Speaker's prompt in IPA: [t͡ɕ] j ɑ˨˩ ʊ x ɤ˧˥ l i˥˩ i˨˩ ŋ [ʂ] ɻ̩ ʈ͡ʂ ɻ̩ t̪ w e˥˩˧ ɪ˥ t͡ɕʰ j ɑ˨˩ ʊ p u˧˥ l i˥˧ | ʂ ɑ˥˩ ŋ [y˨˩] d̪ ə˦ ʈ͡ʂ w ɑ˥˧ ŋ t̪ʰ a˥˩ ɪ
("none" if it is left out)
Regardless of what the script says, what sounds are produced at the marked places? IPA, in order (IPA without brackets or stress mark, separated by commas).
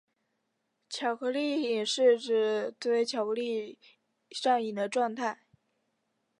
t͡ɕʰ, ʂ, i˨˩